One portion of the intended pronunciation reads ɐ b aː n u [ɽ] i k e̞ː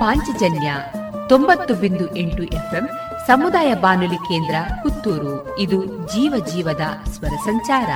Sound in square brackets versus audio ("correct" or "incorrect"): incorrect